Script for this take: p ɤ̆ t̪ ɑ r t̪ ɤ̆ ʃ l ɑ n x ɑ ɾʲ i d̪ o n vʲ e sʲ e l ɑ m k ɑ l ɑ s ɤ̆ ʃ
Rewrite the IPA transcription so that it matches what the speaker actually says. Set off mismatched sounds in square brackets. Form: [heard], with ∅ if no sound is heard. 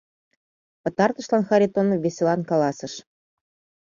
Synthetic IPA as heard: p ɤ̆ t̪ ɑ r t̪ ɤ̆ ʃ l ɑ n x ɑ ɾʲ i [t̪] o n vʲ e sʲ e l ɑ [n] k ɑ l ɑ s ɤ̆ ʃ